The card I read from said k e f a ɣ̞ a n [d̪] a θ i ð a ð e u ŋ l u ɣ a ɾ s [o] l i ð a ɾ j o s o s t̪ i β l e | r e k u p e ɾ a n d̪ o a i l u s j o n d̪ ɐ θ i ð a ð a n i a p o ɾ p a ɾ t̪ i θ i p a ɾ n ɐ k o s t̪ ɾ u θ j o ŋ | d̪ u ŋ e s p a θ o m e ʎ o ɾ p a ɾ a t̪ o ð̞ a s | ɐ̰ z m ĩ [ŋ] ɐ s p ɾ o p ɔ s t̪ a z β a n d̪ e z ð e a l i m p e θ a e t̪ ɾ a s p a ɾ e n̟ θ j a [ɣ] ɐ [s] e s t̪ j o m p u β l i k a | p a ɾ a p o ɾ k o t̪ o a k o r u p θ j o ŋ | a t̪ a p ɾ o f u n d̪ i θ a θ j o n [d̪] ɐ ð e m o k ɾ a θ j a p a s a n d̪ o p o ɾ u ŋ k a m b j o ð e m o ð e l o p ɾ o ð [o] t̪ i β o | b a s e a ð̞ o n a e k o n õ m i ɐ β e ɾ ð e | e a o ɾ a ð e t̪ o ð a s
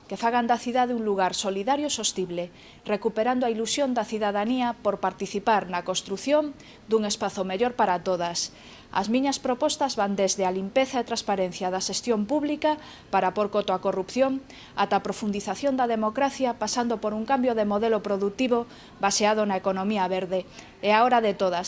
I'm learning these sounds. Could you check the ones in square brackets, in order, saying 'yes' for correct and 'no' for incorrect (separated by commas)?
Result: yes, yes, no, no, no, yes, no